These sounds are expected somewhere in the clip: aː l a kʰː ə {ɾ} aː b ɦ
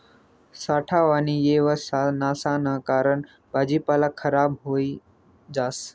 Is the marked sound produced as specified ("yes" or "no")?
yes